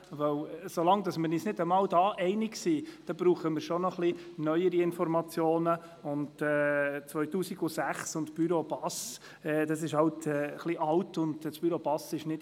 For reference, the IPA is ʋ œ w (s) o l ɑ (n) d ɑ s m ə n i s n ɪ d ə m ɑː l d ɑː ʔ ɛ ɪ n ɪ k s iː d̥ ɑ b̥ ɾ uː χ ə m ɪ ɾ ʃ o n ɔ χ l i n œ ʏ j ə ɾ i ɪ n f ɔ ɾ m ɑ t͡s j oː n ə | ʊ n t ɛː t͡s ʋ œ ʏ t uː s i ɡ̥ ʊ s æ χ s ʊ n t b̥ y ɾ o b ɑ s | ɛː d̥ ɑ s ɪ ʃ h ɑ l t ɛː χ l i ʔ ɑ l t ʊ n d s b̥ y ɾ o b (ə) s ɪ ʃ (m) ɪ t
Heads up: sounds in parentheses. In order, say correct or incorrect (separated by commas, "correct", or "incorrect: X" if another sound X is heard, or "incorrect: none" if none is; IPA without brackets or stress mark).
correct, incorrect: ŋ, incorrect: ɑ, incorrect: n